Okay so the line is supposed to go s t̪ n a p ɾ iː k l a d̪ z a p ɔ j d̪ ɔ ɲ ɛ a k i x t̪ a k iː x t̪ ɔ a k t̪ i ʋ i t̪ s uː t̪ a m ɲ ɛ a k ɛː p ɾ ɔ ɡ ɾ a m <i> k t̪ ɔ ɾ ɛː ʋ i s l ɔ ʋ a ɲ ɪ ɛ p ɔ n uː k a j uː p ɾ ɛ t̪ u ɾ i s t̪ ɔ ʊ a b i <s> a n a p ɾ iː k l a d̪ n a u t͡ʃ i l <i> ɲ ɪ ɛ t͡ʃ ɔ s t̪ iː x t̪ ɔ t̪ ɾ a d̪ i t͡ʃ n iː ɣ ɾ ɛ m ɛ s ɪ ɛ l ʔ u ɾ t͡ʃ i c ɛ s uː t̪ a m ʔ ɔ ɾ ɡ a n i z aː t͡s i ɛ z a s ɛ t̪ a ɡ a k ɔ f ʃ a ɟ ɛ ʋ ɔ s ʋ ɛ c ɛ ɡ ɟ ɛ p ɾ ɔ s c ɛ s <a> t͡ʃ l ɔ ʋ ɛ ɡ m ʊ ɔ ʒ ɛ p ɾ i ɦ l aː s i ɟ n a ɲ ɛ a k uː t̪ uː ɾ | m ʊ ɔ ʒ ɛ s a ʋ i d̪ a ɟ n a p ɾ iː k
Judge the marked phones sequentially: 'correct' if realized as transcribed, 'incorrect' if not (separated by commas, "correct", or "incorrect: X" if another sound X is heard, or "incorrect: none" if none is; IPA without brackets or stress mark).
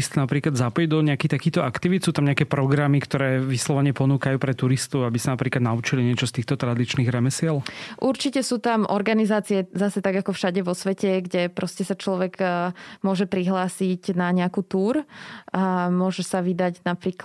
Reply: correct, correct, correct, correct